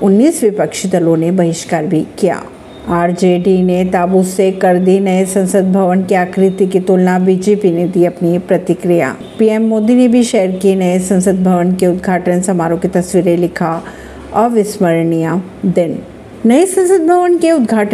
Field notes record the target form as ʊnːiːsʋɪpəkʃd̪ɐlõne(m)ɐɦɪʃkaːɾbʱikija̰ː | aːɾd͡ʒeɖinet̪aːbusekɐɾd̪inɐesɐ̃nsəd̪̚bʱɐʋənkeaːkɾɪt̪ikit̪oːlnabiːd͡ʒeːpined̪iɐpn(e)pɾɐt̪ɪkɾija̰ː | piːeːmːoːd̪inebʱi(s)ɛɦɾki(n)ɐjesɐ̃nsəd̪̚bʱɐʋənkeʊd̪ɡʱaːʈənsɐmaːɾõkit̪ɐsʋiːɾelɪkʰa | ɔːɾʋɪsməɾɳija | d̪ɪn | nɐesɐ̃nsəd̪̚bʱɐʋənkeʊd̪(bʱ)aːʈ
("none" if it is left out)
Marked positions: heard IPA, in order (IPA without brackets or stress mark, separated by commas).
b, i, ʃ, n, ɡʱ